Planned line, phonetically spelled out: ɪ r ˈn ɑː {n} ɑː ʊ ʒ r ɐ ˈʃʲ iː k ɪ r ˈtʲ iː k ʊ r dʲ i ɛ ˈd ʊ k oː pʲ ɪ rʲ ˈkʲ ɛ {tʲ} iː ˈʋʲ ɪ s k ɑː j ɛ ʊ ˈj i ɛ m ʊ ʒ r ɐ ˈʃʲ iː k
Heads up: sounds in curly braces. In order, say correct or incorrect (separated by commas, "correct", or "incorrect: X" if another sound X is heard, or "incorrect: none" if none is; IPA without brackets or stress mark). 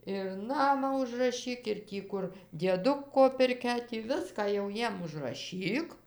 incorrect: m, correct